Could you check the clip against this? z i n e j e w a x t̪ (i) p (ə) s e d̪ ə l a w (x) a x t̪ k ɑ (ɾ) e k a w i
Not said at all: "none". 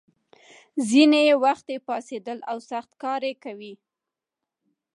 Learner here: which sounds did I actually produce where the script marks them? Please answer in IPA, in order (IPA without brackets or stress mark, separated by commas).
e, ɑ, s, ɾ